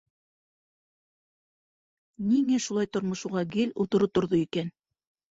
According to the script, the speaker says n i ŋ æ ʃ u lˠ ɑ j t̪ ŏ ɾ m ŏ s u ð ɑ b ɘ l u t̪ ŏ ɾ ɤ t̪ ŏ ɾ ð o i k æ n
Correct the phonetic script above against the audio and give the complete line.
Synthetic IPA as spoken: n i ŋ æ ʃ u lˠ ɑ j t̪ ŏ ɾ m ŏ ʃ u ʁ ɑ ɡ ɘ l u t̪ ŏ ɾ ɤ t̪ ŏ ɾ ð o i k æ n

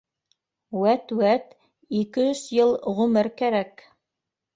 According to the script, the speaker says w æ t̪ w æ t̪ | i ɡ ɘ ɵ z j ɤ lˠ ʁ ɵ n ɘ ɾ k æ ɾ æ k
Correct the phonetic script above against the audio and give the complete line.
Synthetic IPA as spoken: w æ t̪ w æ t̪ | i k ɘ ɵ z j ɤ lˠ ʁ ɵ m ɘ ɾ k æ ɾ æ k

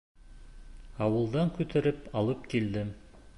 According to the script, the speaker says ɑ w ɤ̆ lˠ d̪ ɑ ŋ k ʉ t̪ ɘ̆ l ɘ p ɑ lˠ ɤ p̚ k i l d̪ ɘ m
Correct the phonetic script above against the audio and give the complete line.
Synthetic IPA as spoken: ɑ w ɤ̆ lˠ d̪ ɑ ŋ k ʉ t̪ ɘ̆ ɾ ɘ p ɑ lˠ ɤ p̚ k i l d̪ ɘ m

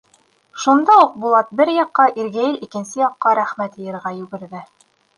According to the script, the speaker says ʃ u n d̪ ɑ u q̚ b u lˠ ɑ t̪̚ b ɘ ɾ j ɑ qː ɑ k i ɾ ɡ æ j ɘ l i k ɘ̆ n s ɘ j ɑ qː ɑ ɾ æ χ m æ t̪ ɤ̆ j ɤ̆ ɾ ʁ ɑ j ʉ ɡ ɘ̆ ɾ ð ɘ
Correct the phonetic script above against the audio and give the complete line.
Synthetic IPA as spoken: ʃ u n d̪ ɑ u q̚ b u lˠ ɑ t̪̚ b ɘ ɾ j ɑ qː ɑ ʔ i ɾ ɡ æ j ɘ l i k ɘ̆ n s ɘ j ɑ qː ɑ ɾ æ χ m æ t̪ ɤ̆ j ɤ̆ ɾ ʁ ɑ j ʉ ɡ ɘ̆ ɾ ð ɘ

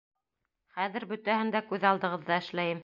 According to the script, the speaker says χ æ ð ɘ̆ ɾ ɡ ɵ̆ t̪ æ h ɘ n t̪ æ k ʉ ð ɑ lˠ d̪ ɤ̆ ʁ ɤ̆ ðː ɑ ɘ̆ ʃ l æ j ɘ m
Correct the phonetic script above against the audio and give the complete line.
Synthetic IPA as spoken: χ æ ð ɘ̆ ɾ b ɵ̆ t̪ æ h ɘ n d̪ æ k ʉ ð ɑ lˠ d̪ ɤ̆ ʁ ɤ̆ ðː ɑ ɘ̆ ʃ l æ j ɘ m

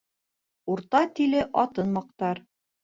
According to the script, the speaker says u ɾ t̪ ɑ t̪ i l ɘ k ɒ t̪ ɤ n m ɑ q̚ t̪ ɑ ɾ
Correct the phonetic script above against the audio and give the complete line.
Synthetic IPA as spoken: u ɾ t̪ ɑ t̪ i l ɘ ʔ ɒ t̪ ɤ n m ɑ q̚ t̪ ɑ ɾ

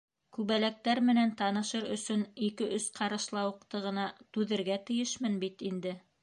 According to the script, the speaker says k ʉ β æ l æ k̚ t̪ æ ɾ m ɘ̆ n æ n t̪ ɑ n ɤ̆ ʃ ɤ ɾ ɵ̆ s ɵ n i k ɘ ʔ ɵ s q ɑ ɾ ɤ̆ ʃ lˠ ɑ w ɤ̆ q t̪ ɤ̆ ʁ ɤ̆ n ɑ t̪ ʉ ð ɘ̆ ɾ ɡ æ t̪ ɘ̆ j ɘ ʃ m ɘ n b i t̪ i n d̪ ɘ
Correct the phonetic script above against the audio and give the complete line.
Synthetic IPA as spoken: k ʉ β æ l æ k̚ t̪ æ ɾ m ɘ̆ n æ n t̪ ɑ n ɤ̆ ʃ ɤ ɾ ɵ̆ s ɵ n i k ɘ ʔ ɵ s q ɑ ɾ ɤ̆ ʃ lˠ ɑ w ɤ̆ q t̪ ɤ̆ ʁ ɤ̆ n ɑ t̪ ʉ ð ɘ̆ ɾ ɡ æ t̪ ɘ̆ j ɘ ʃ m ɘ n b i t̪ i n d̪ ɘ

